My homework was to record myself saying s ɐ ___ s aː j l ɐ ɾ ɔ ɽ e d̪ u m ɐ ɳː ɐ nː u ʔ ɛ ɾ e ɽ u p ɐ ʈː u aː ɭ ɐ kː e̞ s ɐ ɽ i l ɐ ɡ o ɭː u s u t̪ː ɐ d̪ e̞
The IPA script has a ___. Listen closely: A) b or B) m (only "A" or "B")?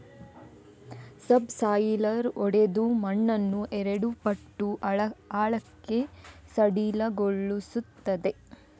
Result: A